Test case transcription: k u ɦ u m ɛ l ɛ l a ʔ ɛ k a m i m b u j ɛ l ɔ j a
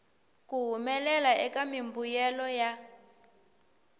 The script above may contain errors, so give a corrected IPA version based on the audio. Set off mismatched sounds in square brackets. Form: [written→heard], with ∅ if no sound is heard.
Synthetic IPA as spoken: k u ɦ u m ɛ l ɛ l a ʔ ɛ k a m i m b u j ɛ l ɔ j a